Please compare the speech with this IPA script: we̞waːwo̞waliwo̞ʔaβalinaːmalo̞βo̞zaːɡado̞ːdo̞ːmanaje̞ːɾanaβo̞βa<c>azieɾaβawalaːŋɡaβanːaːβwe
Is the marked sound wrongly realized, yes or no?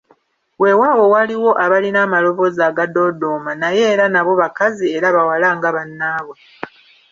yes